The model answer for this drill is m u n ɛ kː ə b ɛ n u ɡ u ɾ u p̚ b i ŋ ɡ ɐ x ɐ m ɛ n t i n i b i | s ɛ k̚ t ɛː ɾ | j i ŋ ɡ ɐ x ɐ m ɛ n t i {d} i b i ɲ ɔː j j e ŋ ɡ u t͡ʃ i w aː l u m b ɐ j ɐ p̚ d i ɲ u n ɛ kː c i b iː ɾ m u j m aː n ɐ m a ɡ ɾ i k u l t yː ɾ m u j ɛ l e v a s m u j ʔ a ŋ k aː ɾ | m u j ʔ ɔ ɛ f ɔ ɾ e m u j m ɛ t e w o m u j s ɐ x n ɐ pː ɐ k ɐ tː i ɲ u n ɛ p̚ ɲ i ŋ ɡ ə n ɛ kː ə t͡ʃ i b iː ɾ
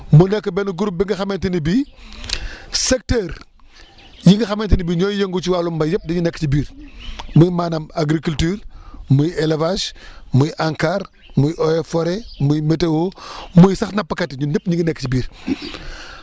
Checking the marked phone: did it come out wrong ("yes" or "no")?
yes